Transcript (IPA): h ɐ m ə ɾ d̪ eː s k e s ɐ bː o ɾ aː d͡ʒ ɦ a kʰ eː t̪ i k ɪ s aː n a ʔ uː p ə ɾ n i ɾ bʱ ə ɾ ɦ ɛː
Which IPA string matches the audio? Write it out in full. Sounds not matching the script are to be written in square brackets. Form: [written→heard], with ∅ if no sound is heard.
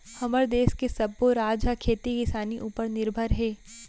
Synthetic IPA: h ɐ m ə ɾ d̪ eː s k e s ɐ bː o ɾ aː d͡ʒ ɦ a kʰ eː t̪ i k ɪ s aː n [a→i] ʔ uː p ə ɾ n [i→ɪ] ɾ bʱ ə ɾ ɦ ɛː